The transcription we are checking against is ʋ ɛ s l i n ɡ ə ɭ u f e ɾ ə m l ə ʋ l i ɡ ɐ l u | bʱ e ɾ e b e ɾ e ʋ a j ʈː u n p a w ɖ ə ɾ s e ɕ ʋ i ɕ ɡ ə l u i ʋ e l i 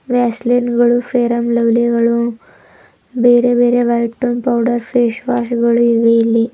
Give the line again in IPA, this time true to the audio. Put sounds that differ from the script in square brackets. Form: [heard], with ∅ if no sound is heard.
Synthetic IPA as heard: ʋ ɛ s l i n ɡ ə ɭ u f e ɾ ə m l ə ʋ l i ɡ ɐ [ɭ] u | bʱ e ɾ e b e ɾ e ʋ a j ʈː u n p a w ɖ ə ɾ [f] e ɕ ʋ [a] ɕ ɡ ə [ɭ] u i ʋ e l i